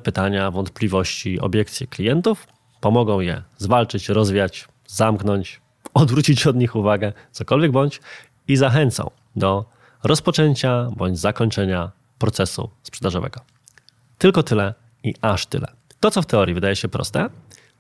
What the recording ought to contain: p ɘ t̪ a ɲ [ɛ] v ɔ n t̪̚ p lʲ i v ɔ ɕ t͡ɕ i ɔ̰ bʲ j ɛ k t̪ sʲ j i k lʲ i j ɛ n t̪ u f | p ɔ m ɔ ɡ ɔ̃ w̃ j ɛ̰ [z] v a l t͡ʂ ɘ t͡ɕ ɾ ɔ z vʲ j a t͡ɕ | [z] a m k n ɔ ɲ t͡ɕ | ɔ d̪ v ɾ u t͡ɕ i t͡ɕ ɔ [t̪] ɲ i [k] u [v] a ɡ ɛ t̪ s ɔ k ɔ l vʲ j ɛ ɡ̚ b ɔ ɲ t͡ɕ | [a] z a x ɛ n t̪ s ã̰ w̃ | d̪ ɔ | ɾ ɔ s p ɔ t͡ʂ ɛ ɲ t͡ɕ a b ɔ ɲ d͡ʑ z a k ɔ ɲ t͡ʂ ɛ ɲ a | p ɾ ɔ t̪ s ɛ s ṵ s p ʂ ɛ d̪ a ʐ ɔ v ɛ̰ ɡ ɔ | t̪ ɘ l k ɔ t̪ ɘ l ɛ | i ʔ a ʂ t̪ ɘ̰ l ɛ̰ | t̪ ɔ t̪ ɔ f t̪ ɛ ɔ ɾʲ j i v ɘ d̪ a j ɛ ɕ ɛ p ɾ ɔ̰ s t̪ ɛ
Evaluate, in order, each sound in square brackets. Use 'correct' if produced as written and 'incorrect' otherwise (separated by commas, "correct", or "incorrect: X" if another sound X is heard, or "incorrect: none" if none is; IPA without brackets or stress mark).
incorrect: a, correct, correct, incorrect: d̪, incorrect: x, correct, incorrect: i